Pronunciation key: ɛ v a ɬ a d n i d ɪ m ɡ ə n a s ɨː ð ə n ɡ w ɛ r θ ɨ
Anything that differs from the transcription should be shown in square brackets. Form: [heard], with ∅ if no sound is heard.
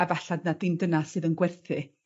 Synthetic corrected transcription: [a] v a ɬ a d n [a] d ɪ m [d] ə n a s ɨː ð ə n ɡ w ɛ r θ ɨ

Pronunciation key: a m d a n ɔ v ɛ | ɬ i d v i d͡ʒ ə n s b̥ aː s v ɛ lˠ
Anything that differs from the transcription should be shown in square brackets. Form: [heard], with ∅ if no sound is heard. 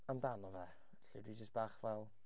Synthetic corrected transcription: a m d a n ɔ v ɛ | ɬ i d [w] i d͡ʒ ə [∅] s b̥ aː [χ] v ɛ lˠ

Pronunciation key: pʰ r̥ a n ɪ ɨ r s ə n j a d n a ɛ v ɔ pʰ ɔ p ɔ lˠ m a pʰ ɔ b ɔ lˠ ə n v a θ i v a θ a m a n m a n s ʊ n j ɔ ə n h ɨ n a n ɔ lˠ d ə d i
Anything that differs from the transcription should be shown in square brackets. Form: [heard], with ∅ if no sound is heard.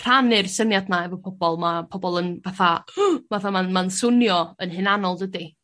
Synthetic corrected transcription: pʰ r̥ a n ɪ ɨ r s ə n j a d n a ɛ v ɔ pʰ ɔ [b] ɔ lˠ m a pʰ ɔ b ɔ lˠ ə n v a θ [a] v a θ a m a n m a n s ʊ n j ɔ ə n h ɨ n a n ɔ lˠ d ə d i

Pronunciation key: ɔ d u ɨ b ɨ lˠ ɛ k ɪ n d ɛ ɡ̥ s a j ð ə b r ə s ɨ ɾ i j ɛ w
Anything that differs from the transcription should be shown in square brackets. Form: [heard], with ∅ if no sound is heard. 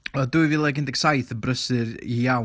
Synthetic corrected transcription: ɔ d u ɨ [v] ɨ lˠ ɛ [ɡ] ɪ n d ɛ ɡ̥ s a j [θ] ə b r ə s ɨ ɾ i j [a] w

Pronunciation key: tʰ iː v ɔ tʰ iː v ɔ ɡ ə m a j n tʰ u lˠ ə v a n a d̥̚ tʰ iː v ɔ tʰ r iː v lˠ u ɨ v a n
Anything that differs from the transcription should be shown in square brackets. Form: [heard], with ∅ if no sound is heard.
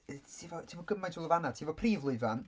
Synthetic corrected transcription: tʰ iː v ɔ tʰ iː v ɔ ɡ ə m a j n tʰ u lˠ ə v a n a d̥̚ tʰ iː v ɔ [pʰ] r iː v lˠ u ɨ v a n

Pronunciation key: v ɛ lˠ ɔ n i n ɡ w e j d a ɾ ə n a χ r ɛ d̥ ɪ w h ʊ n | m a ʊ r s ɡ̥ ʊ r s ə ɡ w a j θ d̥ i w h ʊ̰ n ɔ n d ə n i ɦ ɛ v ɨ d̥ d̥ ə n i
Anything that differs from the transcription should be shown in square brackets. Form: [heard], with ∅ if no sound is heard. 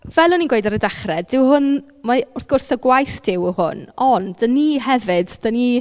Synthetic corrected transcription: v ɛ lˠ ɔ n i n ɡ w e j d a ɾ ə [d] a χ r ɛ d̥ ɪ w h ʊ n | m a ʊ r [θ] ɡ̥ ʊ r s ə ɡ w a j θ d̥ [ɪ] w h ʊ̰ n ɔ n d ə n i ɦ ɛ v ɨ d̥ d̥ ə n i

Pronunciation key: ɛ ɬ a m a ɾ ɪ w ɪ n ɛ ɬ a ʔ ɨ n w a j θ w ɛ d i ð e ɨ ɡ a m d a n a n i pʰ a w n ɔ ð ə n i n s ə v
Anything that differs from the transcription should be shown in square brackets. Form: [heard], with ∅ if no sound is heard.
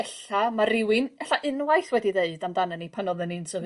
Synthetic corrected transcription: ɛ ɬ a m a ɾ ɪ w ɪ n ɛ ɬ a ʔ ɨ n w a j θ w ɛ d i ð e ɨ [d] a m d a n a n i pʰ a [∅] n ɔ ð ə n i n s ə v

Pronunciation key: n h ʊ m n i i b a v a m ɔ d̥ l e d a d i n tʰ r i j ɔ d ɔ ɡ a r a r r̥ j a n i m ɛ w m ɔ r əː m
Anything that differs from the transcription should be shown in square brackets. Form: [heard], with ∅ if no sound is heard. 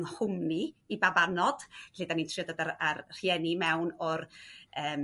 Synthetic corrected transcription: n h ʊ m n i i b a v a [n] ɔ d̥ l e d a [n] i n tʰ r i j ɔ d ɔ [d] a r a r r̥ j [ɛ] n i m ɛ w [n] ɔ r əː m

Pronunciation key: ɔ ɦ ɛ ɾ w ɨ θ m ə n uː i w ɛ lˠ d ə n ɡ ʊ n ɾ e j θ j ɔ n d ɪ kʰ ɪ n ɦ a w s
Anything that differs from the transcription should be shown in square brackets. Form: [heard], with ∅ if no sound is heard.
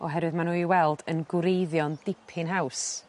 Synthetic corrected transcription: ɔ ɦ ɛ ɾ w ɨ [ð] m [a] n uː i w ɛ lˠ d ə n ɡ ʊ [∅] ɾ e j [ð] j ɔ n d ɪ [pʰ] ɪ n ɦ a w s

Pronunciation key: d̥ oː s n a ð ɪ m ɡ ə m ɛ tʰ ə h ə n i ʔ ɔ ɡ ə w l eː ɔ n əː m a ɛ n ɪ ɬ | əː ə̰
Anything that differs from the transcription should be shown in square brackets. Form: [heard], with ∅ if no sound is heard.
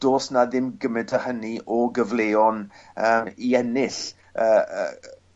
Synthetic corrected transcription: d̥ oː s n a ð ɪ m ɡ ə m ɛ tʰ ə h ə n i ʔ ɔ ɡ ə [v] l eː ɔ n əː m [i] ɛ n ɪ ɬ | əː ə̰

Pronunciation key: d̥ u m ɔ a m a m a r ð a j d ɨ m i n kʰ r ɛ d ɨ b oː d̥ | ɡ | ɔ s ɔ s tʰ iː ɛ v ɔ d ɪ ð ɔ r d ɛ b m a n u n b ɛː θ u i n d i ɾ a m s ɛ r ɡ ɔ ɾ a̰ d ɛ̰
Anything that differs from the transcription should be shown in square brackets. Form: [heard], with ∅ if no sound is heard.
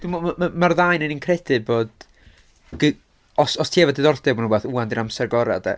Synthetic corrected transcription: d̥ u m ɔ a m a m a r ð a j [n] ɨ [n] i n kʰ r ɛ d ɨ b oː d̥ | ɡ | ɔ s ɔ s tʰ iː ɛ v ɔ d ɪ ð ɔ r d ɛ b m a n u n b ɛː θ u [a] n d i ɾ a m s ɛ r ɡ ɔ ɾ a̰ d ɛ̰

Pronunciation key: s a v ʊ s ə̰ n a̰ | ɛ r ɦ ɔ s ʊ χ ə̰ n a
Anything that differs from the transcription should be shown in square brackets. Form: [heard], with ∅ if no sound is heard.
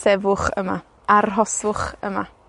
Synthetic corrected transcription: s [ɛ] v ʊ [χ] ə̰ [m] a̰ | [a] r ɦ ɔ s ʊ χ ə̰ [m] a

